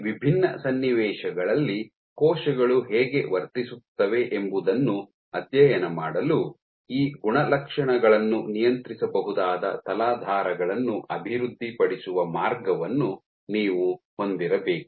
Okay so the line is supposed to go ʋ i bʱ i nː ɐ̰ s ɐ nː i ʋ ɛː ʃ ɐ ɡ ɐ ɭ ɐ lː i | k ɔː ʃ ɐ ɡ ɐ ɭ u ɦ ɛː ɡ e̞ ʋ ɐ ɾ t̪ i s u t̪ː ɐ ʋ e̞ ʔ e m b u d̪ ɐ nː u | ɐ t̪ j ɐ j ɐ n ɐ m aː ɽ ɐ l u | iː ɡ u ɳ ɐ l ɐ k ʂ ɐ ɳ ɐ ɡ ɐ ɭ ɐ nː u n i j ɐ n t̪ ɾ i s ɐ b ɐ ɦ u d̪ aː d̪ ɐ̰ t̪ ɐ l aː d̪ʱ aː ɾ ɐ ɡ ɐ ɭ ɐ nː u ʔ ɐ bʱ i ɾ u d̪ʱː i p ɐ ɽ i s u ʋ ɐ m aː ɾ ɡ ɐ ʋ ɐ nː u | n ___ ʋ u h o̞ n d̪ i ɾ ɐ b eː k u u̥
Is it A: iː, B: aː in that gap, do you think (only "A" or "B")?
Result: A